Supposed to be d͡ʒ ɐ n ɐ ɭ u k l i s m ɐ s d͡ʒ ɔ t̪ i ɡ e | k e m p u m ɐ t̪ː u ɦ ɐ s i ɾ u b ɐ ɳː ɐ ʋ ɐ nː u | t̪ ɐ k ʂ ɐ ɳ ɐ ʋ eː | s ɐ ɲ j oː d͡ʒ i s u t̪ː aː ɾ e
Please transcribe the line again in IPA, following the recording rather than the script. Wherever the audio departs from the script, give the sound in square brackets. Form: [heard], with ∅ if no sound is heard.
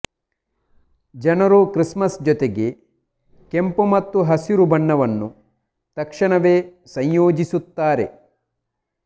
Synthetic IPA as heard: d͡ʒ ɐ n ɐ [ɾ] u k [ɾ] i s m ɐ s d͡ʒ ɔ t̪ [e] ɡ e | k e m p u m ɐ t̪ː u ɦ ɐ s i ɾ u b ɐ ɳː ɐ ʋ ɐ nː u | t̪ ɐ k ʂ ɐ ɳ ɐ ʋ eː | s ɐ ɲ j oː d͡ʒ i s u t̪ː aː ɾ e

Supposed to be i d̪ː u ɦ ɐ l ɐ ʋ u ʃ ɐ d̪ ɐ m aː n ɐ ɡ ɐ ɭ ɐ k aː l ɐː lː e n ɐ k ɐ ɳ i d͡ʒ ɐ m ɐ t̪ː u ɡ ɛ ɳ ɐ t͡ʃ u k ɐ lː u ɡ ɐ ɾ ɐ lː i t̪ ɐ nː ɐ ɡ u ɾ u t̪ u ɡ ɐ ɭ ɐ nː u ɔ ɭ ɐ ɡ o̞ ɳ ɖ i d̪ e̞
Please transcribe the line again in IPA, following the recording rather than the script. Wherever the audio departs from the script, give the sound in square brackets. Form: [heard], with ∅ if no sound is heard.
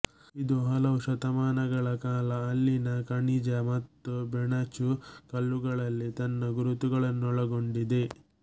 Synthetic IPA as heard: i [d̪] u ɦ ɐ l ɐ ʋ u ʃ ɐ [t̪] ɐ m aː n ɐ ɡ ɐ ɭ ɐ k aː l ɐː lː [i] n ɐ k ɐ ɳ i d͡ʒ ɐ m ɐ t̪ː u [b] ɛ ɳ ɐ t͡ʃ u k ɐ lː u ɡ ɐ [ɭ] ɐ lː i t̪ ɐ nː ɐ ɡ u ɾ u t̪ u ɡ ɐ ɭ ɐ nː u ɔ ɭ ɐ ɡ o̞ ɳ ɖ i d̪ e̞

